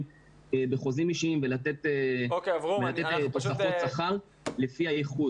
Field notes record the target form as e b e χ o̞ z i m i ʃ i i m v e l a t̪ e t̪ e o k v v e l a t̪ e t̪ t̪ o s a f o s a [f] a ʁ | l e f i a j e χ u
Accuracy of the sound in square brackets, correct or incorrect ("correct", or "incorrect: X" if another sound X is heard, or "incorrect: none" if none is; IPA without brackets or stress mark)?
incorrect: χ